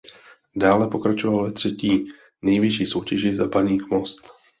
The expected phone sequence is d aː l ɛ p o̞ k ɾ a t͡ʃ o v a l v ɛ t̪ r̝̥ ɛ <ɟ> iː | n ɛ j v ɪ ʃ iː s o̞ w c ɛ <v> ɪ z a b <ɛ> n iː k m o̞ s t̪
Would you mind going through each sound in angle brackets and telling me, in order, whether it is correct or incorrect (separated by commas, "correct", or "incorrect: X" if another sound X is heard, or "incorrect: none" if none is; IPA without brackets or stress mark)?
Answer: incorrect: c, incorrect: ʒ, incorrect: a